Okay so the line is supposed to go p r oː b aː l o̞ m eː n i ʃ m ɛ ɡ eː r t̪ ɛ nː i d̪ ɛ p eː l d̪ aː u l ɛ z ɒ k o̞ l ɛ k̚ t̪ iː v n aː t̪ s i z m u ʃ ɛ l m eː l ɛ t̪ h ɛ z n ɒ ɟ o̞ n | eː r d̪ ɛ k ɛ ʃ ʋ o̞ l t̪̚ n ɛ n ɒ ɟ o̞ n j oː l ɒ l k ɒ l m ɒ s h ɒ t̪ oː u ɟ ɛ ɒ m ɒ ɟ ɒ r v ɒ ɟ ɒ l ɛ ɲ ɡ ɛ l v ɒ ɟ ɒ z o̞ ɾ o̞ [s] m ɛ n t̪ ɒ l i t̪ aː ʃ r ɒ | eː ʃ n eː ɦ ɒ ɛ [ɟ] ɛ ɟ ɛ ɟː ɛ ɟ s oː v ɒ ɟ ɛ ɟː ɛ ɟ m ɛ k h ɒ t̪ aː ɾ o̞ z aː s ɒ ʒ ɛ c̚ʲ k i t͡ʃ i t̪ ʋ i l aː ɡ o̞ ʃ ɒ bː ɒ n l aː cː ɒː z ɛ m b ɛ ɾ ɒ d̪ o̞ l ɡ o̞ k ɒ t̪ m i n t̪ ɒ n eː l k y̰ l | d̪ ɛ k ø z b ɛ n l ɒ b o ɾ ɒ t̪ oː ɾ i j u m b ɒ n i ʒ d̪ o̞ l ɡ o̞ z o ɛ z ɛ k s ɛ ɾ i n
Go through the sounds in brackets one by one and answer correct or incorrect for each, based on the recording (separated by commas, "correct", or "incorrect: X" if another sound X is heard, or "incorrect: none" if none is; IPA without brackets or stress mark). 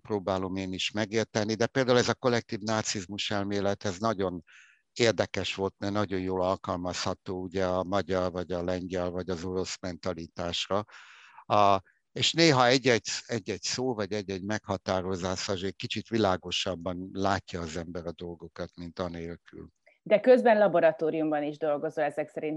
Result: correct, incorrect: ɟː